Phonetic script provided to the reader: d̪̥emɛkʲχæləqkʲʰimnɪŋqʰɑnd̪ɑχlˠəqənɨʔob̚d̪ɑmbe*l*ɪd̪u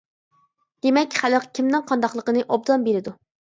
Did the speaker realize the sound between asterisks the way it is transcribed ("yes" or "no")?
no